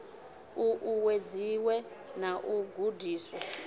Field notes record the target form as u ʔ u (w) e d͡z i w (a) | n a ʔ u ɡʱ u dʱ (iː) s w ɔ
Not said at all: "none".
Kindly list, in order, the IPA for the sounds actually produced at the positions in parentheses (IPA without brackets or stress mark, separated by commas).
w, ɛ, iː